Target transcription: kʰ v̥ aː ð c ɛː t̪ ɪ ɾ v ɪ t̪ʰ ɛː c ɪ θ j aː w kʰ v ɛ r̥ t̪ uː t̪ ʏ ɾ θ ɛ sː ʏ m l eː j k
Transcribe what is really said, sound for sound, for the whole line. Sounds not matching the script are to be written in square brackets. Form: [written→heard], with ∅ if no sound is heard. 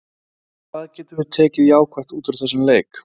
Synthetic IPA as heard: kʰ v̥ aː ð c ɛː t̪ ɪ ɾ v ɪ t̪ʰ ɛː c ɪ [θ→ð] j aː w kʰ v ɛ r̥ t̪ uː t̪ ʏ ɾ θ ɛ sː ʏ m l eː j k